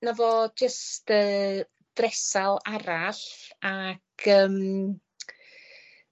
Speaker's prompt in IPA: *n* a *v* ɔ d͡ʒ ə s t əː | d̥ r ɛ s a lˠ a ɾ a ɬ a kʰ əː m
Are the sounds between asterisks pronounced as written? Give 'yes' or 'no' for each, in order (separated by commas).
yes, yes